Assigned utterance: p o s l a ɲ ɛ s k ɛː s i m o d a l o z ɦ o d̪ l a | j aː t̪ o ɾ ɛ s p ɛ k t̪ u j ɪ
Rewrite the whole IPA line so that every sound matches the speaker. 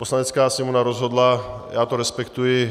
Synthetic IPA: p o s l a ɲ ɛ t͡s k aː s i m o n a ɾ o z ɦ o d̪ l a | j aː t̪ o ɾ ɛ s p ɛ k t̪ u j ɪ